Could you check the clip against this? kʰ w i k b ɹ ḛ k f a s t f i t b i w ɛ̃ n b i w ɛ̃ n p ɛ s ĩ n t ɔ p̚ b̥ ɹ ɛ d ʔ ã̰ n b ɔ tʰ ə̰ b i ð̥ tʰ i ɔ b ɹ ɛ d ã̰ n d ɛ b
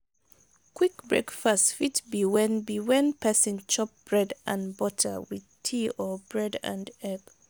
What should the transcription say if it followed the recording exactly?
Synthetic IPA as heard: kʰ w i k b ɹ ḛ k f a s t f i t b i w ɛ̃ n b i w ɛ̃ n p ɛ s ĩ n t͡ʃ ɔ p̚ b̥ ɹ ɛ d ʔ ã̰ n b ɔ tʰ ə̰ w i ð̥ tʰ i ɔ b ɹ ɛ d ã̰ n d ɛ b